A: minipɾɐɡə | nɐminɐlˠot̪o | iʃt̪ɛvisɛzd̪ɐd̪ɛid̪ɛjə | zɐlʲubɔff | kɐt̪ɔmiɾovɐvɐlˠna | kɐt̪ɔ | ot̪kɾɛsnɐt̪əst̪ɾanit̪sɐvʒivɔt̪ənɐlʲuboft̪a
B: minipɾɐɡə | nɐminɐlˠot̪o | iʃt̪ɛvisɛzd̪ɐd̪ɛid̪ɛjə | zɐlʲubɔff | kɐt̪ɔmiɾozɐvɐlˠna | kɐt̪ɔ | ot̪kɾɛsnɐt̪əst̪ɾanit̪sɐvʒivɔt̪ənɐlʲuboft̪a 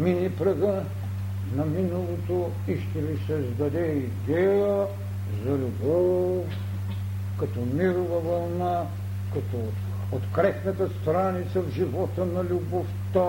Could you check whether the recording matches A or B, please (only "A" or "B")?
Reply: A